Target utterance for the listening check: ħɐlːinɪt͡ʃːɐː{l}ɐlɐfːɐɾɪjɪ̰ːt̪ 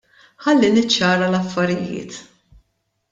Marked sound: incorrect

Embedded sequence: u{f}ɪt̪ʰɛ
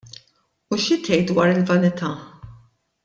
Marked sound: incorrect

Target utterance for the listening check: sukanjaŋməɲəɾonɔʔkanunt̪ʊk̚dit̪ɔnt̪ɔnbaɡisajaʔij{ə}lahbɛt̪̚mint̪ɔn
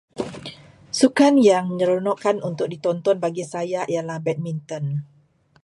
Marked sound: incorrect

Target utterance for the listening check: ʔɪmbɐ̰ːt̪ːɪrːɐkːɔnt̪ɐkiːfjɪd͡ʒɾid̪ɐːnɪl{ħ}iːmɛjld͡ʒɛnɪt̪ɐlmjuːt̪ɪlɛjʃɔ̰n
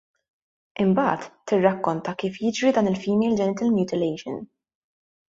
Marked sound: incorrect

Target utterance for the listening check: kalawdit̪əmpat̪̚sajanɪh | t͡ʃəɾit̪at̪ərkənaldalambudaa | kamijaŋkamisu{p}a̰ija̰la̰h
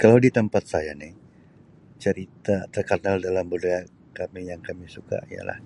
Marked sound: incorrect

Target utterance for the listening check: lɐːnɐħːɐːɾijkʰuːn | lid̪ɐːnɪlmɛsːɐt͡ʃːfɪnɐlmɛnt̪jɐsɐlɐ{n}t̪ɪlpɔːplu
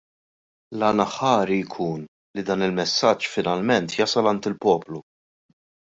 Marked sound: correct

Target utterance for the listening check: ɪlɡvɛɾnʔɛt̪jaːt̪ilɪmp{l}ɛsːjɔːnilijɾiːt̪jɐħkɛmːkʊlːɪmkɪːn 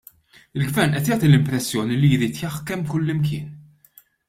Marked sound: incorrect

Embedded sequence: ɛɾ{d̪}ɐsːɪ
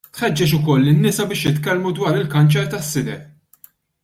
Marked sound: incorrect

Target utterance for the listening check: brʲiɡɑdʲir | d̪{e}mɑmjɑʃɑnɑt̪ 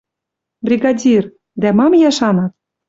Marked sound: incorrect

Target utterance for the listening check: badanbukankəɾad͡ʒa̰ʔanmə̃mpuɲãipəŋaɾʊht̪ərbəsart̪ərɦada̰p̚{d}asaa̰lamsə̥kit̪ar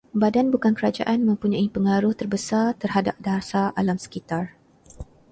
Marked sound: correct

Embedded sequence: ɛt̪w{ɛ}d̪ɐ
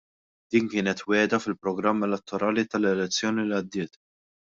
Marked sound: incorrect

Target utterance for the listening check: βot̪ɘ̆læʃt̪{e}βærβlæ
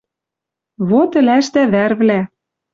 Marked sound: incorrect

